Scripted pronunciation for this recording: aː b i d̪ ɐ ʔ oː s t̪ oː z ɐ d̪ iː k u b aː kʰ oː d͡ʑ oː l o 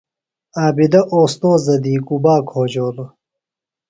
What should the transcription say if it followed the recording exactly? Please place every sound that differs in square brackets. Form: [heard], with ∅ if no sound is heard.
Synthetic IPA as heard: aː b i d̪ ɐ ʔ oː s t̪ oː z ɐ d̪ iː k u b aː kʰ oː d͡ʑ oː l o